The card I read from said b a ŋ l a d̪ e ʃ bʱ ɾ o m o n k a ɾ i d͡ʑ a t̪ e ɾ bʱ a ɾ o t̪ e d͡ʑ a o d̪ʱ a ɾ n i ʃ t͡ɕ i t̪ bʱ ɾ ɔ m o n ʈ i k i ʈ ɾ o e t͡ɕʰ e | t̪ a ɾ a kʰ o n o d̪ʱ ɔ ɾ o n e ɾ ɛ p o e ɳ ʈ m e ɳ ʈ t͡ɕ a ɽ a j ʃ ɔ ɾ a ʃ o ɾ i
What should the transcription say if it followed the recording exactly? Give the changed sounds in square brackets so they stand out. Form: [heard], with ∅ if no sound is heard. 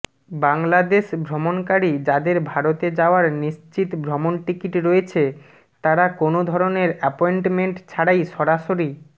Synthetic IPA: b a ŋ l a d̪ e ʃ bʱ ɾ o m o n k a ɾ i d͡ʑ a [d̪] e ɾ bʱ a ɾ o t̪ e d͡ʑ a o [∅] a ɾ n i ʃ t͡ɕ i t̪ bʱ ɾ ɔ m o n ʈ i k i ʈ ɾ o e t͡ɕʰ e | t̪ a ɾ a [k] o n o d̪ʱ ɔ ɾ o n e ɾ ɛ p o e ɳ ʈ m e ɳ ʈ [t͡ɕʰ] a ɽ a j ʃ ɔ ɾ a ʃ o ɾ i